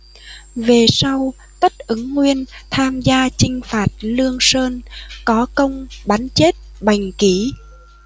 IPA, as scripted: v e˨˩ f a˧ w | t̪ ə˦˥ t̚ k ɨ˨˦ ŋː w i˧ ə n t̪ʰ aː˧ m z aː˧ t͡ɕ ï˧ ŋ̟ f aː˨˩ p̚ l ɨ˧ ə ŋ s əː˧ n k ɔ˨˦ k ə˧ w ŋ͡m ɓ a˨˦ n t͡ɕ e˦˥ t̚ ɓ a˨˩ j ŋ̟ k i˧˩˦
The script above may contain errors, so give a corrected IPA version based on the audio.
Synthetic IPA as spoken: v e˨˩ s a˧ w | t̪ ə˦˥ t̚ ʔ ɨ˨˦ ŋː w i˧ ə n t̪ʰ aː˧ m z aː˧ t͡ɕ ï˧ ŋ̟ f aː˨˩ t̚ l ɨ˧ ə ŋ s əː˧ n k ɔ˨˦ k ə˧ w ŋ͡m ɓ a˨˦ n t͡ɕ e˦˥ t̚ ɓ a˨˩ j ŋ̟ k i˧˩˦